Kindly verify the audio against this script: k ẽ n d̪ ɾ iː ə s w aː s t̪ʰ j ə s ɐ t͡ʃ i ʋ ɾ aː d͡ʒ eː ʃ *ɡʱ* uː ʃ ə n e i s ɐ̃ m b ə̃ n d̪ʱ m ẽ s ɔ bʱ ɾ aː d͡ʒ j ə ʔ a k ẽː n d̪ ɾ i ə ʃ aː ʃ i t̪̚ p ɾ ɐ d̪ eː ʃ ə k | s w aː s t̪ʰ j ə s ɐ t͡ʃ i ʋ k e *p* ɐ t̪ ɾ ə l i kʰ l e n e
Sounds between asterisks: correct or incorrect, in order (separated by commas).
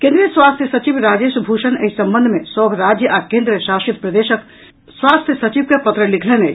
incorrect, correct